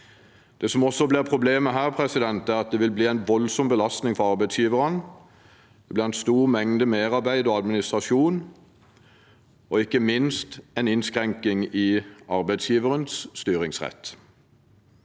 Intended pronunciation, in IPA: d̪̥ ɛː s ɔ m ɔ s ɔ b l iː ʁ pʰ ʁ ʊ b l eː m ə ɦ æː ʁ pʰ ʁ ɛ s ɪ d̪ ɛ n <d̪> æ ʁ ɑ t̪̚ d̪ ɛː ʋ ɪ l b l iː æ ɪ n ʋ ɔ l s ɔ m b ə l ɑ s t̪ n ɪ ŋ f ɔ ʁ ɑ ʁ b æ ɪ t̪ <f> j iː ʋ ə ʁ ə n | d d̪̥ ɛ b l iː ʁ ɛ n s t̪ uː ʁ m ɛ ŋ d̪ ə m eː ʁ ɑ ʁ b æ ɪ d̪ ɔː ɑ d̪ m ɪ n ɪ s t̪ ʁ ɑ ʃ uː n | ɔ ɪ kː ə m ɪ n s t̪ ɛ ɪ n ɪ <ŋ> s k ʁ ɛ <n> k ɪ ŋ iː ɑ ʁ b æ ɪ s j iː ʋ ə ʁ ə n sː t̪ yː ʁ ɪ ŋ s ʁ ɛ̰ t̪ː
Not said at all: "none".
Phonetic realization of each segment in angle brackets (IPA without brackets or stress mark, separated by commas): t̪, s, n, ŋ